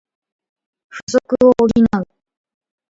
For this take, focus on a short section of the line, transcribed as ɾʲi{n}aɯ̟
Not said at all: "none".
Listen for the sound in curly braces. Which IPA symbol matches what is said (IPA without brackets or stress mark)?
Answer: n